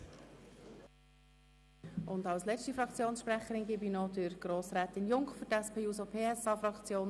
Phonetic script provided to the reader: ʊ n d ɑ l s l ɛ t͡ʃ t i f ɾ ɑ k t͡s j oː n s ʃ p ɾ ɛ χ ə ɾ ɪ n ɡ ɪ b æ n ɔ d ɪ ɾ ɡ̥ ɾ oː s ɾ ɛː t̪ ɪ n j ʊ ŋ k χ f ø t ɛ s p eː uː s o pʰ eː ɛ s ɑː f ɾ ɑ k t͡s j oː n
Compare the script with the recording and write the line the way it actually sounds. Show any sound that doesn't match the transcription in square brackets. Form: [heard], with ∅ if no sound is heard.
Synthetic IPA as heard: ʊ n d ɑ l s l ɛ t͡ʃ t i f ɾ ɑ k t͡s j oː n s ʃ p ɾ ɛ χ ə ɾ ɪ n ɡ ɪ b [i] n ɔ d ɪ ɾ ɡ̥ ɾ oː s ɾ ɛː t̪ ɪ n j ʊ ŋ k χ f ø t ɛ s p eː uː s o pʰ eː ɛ s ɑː f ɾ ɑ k t͡s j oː n

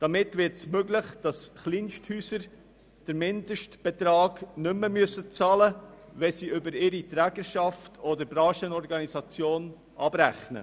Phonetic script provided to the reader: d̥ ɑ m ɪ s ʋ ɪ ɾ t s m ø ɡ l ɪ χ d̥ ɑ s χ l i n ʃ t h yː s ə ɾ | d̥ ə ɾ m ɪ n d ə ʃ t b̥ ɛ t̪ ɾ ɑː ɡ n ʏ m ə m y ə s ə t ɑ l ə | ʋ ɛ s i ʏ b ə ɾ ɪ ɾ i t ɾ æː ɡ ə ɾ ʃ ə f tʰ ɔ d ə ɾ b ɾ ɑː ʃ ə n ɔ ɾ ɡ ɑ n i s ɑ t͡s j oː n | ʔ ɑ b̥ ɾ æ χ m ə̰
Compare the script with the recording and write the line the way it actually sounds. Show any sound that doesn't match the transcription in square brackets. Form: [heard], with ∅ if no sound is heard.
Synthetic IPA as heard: d̥ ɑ m ɪ [t] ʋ ɪ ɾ t s m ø ɡ l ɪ χ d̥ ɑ s χ l i n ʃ t h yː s ə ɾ | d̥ ə ɾ m ɪ n d ə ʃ t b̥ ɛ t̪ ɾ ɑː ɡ n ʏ m ə m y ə s ə [t͡s] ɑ l ə | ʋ ɛ s i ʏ b ə ɾ ɪ ɾ i t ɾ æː ɡ ə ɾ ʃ [ɑ] f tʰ ɔ d ə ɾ b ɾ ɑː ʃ ə n ɔ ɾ ɡ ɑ n i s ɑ t͡s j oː n | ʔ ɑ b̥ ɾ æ χ [n] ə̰

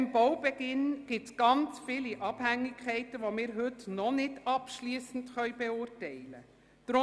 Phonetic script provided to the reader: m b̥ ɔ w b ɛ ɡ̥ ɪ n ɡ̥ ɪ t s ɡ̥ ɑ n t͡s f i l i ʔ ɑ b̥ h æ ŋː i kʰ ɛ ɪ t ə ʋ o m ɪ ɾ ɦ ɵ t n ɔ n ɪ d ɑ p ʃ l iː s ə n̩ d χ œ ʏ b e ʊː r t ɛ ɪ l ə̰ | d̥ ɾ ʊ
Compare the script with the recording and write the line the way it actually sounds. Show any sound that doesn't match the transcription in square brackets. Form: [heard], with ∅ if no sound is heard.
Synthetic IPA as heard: m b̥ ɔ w b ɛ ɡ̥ ɪ n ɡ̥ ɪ t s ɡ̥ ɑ n t͡s f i l i ʔ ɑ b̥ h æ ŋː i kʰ ɛ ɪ t ə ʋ o m [ɪː] ɾ ɦ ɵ t n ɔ n ɪ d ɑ p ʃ l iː s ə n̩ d χ œ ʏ b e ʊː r t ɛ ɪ l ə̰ | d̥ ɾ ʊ

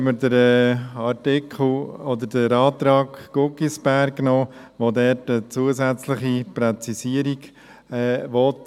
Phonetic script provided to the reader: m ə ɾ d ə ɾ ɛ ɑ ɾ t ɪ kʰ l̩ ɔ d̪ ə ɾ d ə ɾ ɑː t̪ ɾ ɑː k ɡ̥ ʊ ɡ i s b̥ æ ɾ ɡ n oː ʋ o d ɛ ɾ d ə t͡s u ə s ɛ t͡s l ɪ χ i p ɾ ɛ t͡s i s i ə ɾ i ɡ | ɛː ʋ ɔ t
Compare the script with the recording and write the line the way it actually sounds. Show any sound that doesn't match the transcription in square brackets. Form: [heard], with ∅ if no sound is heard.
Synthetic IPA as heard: m ə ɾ d ə ɾ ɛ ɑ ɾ t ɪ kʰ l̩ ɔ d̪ ə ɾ d ə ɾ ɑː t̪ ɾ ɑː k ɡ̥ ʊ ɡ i s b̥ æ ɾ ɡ n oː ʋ o d ɛ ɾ [t] ə t͡s u ə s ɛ t͡s l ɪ χ i p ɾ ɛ t͡s i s i ə ɾ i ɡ | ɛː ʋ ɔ t

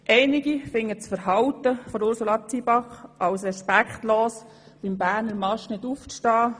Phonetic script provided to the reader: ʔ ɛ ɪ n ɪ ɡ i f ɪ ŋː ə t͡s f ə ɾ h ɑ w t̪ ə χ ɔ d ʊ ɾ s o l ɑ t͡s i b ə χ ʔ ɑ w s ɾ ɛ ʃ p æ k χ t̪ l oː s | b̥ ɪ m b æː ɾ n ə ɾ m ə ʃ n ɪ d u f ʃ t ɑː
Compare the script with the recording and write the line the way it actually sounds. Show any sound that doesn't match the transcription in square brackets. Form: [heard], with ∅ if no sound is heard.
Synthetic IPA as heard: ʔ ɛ ɪ n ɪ ɡ i f ɪ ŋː ə t͡s f ə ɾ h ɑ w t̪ ə [f] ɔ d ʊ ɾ s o l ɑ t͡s i b [ɑ] χ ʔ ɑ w s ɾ ɛ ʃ p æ k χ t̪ l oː s | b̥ ɪ m b æː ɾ n ə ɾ m [ɑ] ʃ n ɪ d u f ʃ t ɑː

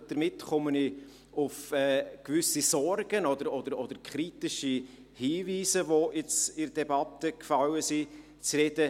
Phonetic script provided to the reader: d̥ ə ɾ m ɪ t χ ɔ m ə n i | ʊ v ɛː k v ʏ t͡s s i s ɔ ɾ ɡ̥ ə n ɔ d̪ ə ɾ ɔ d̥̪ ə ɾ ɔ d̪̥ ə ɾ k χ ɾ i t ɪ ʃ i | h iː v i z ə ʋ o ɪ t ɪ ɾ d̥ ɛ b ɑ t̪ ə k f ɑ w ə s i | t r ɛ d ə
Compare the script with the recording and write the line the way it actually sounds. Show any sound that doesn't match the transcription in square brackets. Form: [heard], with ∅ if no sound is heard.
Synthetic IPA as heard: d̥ ə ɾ m ɪ t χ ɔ m ə n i | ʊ [f] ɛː k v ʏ [∅] s i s ɔ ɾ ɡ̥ ə n ɔ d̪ ə ɾ ɔ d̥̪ ə ɾ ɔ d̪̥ ə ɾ k χ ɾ i t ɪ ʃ i | h iː v [iː] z ə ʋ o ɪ [t͡s] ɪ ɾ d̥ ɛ b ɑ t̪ ə k f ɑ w ə s i | [t͡s] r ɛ d ə

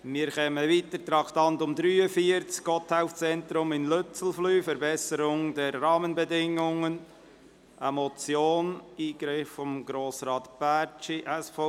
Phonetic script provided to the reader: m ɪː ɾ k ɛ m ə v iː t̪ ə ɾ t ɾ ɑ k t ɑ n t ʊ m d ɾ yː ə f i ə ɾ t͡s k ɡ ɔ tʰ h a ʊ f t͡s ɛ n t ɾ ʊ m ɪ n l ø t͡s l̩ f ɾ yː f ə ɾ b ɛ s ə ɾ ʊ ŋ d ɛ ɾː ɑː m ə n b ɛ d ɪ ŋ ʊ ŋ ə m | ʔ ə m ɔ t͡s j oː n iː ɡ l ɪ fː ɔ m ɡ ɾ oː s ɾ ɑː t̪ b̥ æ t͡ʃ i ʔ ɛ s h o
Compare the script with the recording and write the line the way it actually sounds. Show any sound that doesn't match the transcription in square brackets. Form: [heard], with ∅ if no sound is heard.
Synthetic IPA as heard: m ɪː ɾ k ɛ m ə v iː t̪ ə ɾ t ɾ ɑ k t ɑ n t ʊ m d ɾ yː ə f i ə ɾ t͡s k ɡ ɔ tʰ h a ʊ f t͡s ɛ n t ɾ ʊ m ɪ n l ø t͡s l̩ f [l] yː f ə ɾ b ɛ s ə ɾ ʊ ŋ d ɛ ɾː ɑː m ə n b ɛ d ɪ ŋ ʊ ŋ ə [n] | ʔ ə m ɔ t͡s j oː n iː ɡ [ɾ] ɪ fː ɔ m ɡ ɾ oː s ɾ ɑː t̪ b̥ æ t͡ʃ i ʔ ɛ s [f] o

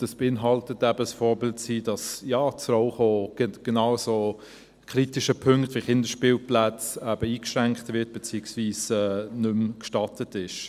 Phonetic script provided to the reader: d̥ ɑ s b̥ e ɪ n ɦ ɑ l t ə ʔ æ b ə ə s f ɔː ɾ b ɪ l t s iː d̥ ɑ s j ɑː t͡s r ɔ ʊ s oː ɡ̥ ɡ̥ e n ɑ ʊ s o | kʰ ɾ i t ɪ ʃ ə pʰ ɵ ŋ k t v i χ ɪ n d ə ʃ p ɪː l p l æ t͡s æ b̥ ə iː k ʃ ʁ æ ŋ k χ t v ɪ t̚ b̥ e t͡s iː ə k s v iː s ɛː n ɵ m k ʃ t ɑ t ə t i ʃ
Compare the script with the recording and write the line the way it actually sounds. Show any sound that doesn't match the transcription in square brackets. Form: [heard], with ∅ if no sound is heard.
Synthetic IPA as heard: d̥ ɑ s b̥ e ɪ n ɦ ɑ l t ə [t] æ b ə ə s f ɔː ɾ b ɪ l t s iː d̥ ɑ s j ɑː t͡s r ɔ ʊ [χ] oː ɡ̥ ɡ̥ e n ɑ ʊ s o | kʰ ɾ i t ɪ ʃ ə pʰ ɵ ŋ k t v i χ ɪ n d ə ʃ p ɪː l p l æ t͡s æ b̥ ə iː k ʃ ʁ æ ŋ k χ t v ɪ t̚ b̥ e t͡s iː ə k s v iː s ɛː n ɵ m k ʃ t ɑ t ə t [ɪ] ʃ

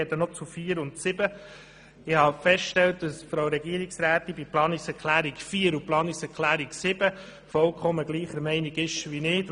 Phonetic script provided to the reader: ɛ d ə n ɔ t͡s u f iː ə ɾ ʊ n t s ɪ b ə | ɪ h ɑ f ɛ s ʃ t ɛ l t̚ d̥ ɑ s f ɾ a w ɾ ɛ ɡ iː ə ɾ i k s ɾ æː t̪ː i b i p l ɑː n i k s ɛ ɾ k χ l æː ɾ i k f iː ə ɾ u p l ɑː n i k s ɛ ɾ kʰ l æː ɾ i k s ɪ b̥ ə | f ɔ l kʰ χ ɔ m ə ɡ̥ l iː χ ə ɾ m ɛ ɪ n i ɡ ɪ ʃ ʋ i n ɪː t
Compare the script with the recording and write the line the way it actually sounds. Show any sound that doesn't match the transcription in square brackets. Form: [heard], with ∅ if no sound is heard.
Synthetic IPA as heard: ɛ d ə n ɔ t͡s u f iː ə ɾ ʊ n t s ɪ b ə | ɪ h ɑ f ɛ s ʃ t ɛ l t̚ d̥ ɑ s f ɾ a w ɾ ɛ ɡ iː ə ɾ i k s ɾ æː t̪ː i b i p l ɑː n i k s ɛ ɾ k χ l æː ɾ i k f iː ə ɾ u p l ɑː n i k s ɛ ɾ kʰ l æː ɾ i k s ɪ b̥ ə | f ɔ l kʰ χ ɔ m ə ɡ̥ l iː χ ə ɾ m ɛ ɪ n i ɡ ɪ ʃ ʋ i n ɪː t

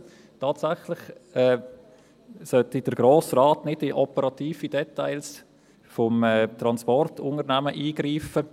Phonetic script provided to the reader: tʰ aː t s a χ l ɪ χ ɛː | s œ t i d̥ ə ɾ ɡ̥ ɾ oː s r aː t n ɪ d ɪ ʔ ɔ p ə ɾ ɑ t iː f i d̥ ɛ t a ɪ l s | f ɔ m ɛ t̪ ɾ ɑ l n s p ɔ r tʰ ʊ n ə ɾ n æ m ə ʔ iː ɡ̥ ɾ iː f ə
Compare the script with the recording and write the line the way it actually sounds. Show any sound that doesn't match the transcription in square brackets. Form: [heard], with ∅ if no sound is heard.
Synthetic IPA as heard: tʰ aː t s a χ l ɪ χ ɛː | s œ t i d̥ ə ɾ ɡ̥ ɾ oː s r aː t n ɪ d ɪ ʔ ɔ p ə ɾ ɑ t iː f i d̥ ɛ t a ɪ l s | f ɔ m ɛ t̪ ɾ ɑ [∅] n s p ɔ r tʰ ʊ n ə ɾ n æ m ə ʔ iː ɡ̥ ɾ iː f ə

